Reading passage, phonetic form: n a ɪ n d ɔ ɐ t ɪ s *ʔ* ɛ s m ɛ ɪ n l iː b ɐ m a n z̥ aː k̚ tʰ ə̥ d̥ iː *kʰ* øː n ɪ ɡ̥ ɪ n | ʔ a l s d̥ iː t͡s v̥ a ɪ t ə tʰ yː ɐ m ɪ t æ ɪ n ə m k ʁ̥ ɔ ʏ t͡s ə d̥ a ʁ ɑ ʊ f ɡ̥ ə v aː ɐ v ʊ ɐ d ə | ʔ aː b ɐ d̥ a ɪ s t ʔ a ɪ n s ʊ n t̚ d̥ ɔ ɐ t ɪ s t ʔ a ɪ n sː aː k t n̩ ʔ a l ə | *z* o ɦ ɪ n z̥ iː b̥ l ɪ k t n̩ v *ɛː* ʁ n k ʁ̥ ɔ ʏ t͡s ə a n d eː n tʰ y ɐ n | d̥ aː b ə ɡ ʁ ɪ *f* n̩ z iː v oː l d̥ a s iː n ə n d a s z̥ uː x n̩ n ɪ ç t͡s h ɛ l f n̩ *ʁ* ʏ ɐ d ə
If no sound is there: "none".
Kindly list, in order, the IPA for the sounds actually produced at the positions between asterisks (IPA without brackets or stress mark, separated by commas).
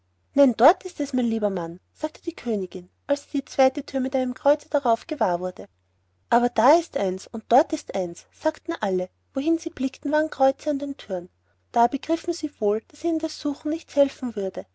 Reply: t, kʰ, v, aː, f, v